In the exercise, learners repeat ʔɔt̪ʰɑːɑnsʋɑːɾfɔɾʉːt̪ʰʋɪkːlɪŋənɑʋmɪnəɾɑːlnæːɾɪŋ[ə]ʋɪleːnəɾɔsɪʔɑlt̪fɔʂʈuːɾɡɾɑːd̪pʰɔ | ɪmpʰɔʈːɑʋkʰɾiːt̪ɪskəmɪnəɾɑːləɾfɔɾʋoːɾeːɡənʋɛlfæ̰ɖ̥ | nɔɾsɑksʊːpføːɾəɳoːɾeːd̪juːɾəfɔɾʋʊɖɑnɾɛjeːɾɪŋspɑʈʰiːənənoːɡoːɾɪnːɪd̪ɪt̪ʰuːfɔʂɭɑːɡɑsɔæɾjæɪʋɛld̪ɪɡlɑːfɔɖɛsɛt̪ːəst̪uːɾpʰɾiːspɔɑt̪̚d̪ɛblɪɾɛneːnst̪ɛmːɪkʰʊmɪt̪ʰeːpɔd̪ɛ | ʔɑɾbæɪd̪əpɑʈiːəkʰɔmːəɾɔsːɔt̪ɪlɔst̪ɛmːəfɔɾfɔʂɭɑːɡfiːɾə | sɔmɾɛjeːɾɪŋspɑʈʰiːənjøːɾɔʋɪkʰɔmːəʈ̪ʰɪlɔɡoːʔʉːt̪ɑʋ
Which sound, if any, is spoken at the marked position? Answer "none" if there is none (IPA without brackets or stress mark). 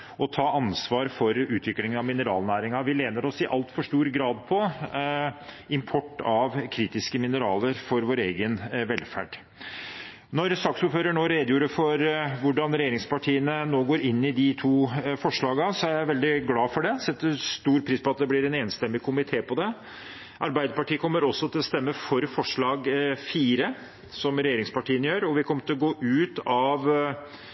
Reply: ɑ